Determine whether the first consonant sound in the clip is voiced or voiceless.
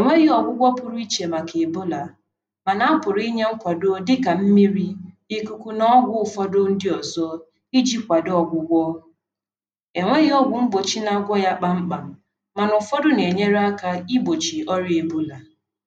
voiced